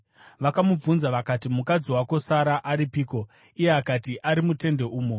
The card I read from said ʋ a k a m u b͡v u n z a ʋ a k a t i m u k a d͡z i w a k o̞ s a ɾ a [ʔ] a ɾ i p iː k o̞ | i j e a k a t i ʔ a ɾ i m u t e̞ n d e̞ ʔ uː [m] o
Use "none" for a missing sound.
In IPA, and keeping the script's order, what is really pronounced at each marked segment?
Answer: ʔ, m

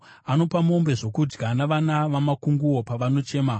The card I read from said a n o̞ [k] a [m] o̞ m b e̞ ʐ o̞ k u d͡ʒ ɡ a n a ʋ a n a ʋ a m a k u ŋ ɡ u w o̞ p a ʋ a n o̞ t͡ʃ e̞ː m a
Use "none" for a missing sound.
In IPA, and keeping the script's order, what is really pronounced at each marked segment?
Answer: p, m

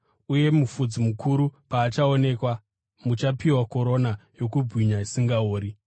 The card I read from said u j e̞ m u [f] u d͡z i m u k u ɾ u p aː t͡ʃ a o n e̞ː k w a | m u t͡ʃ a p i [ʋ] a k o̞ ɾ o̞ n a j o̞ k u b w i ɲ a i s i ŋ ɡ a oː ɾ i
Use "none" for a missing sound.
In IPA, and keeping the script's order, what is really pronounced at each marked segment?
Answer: f, w

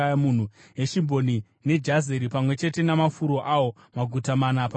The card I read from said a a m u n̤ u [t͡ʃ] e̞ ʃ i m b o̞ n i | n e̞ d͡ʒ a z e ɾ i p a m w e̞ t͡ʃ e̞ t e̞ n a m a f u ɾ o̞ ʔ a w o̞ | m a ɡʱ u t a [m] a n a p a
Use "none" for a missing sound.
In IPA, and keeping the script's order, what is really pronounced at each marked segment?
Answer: none, m

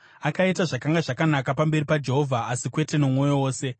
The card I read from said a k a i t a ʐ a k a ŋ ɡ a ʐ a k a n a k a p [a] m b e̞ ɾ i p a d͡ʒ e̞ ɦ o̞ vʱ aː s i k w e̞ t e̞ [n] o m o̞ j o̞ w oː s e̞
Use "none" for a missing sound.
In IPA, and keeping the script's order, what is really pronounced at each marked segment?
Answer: a, n

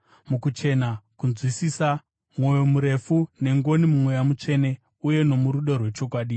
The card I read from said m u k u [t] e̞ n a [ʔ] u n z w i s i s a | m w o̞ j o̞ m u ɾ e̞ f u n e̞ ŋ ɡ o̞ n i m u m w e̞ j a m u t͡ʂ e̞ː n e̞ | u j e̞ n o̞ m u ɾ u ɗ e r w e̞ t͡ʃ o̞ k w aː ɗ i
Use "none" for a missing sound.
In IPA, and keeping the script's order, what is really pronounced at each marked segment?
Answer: t͡ʃ, k

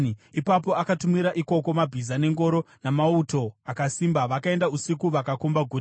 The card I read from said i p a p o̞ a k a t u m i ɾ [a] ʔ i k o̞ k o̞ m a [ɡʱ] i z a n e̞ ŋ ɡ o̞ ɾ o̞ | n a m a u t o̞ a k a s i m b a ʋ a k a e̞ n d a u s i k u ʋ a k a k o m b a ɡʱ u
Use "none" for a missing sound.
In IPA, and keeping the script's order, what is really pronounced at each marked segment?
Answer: a, bʱ

